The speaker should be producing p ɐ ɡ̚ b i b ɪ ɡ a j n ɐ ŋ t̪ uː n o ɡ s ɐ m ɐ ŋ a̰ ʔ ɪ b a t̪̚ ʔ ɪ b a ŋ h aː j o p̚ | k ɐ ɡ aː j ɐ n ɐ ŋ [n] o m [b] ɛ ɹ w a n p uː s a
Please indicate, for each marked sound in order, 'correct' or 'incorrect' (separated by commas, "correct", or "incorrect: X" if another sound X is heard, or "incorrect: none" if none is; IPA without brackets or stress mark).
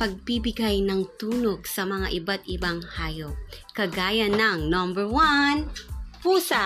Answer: correct, correct